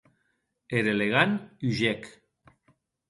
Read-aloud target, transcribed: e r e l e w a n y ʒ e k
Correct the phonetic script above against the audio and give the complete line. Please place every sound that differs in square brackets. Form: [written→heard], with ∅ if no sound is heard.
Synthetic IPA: e [r→ɾ] e l e [w→ɣ] a n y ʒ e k